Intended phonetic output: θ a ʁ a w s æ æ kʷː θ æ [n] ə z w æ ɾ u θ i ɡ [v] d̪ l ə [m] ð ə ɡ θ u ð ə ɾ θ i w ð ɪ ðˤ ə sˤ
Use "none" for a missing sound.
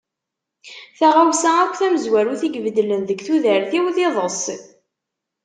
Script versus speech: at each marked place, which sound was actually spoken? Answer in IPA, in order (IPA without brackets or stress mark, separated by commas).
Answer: m, v, n